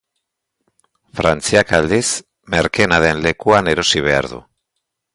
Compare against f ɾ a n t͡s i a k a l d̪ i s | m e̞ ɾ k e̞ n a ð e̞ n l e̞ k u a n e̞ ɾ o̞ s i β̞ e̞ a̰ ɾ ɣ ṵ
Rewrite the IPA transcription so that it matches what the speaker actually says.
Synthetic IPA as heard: f ɾ a n t͡s i a k a l d̪ i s | m e̞ ɾ k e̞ n a ð e̞ n l e̞ k u a n e̞ ɾ o̞ s i β̞ e̞ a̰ ɾ ð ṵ